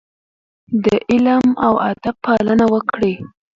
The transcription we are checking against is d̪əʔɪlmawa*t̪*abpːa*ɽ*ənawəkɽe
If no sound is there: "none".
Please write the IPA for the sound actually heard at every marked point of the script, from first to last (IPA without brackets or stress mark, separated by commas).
d̪, l